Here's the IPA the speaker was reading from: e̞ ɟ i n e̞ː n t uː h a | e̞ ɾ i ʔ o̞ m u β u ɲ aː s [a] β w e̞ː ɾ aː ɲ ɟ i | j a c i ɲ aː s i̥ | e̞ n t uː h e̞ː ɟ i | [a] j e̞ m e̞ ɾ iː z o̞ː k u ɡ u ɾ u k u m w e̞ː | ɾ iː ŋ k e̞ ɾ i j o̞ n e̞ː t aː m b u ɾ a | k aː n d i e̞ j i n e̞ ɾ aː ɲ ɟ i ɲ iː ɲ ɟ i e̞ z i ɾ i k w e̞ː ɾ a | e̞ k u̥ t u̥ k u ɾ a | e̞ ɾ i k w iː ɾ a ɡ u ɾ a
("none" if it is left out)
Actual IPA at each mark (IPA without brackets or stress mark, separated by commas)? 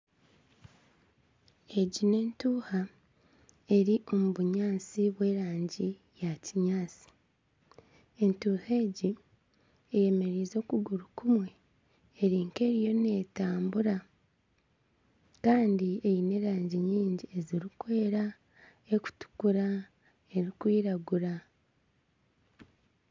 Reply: i, e